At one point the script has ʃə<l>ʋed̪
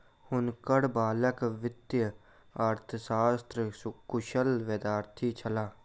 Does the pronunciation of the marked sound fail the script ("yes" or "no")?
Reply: no